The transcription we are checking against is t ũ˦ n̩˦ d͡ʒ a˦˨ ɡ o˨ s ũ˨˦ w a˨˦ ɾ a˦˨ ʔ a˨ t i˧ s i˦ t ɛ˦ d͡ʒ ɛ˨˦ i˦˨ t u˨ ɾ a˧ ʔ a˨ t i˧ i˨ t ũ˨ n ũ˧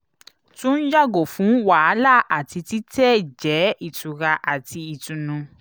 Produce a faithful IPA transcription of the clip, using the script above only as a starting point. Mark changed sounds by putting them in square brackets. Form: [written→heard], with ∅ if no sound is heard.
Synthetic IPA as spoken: t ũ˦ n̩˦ d͡ʒ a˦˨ ɡ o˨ [s→f] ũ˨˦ w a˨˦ [ɾ→l] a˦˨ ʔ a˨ t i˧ [s→t] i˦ t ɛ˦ d͡ʒ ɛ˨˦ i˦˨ t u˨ ɾ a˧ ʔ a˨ t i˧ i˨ t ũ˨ n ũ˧